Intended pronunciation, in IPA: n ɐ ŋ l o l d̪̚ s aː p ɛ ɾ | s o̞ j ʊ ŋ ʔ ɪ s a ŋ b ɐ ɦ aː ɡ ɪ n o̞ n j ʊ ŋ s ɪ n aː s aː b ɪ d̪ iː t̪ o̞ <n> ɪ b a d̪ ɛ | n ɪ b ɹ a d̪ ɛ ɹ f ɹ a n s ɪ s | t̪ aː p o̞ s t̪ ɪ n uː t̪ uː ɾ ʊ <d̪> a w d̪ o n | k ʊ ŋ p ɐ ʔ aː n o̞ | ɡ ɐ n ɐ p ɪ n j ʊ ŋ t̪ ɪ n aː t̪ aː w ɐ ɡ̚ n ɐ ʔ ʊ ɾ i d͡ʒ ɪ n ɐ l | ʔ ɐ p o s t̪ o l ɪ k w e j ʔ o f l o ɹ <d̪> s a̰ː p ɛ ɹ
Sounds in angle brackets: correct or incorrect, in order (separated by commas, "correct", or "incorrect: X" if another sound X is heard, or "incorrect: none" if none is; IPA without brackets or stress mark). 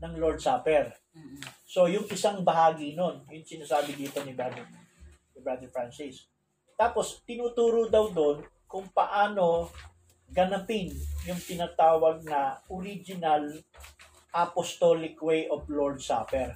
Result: correct, correct, correct